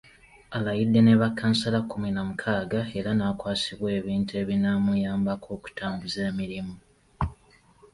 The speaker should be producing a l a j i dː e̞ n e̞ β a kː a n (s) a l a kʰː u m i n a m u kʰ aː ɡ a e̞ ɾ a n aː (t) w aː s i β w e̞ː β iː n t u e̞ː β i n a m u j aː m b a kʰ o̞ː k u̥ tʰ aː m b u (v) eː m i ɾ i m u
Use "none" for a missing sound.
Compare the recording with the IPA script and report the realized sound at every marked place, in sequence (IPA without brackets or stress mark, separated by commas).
s, k, z